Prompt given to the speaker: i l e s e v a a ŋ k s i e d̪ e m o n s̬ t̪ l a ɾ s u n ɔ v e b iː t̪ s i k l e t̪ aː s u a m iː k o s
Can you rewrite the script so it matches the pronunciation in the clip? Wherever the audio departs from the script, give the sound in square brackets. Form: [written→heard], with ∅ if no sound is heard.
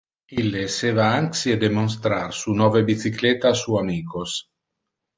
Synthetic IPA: i l e s e v a a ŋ k s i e d̪ e m o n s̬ t̪ [l→ɾ] a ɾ s u n ɔ v e b [iː→i] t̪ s i k l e t̪ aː s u a m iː k o s